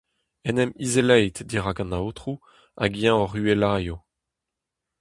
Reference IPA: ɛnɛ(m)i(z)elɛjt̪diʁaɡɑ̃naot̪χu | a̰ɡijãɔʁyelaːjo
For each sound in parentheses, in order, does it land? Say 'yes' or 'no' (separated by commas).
yes, yes